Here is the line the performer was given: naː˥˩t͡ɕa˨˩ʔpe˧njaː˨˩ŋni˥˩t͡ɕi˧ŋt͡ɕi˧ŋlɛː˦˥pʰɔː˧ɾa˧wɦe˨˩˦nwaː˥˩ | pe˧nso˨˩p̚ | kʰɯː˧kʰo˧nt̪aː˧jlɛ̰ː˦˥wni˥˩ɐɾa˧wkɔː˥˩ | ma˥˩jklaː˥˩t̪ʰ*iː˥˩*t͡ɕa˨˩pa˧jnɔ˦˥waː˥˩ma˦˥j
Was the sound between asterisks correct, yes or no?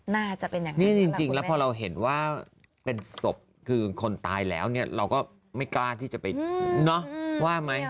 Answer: yes